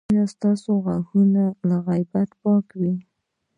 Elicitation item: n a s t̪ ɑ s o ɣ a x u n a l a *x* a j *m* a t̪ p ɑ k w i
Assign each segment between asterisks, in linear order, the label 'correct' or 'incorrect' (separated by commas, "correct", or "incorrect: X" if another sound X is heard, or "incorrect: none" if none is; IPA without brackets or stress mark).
incorrect: ɣ, incorrect: b